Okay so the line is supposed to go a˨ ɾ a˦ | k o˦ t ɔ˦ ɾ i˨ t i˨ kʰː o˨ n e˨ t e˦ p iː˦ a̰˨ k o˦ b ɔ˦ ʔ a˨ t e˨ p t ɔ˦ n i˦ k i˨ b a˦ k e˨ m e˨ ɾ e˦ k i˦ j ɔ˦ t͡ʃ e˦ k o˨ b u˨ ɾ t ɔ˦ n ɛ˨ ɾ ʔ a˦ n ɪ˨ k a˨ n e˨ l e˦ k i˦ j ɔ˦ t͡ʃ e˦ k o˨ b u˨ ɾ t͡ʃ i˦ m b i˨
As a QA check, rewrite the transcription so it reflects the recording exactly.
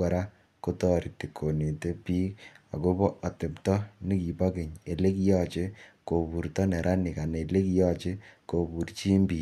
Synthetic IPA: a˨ ɾ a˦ | k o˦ t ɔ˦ ɾ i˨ t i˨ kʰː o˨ n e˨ t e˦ p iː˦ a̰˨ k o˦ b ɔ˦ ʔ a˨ t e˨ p t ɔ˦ n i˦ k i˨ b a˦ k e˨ ɲ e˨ l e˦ k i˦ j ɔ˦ t͡ʃ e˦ k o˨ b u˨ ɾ t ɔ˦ n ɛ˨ ɾ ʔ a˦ n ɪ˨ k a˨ n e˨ l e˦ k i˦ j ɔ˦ t͡ʃ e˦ k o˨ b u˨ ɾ t͡ʃ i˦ m b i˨